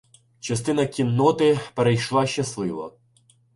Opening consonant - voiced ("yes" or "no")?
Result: no